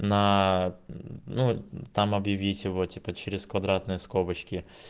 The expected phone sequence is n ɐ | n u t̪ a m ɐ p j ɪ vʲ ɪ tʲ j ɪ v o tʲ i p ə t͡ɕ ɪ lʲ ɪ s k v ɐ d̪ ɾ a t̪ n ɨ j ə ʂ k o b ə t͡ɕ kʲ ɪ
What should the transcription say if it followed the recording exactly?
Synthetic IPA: n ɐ | n u t̪ a m ɐ b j ɪ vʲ i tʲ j ɪ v o tʲ i p ə t͡ɕ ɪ ɾʲ ɪ s k v ɐ d̪ ɾ a t̪ n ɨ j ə s k o b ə t͡ɕ kʲ ɪ